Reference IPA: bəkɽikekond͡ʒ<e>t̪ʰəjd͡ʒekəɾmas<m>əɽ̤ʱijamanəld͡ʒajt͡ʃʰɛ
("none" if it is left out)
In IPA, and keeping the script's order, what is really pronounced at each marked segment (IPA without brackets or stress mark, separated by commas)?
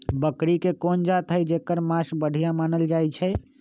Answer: a, b